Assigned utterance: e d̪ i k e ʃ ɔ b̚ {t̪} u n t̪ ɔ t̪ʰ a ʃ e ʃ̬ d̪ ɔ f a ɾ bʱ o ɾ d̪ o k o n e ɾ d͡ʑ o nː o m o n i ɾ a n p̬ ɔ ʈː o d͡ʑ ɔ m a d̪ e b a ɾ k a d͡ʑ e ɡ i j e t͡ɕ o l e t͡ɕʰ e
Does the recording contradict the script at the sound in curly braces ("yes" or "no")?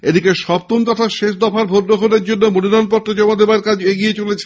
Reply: no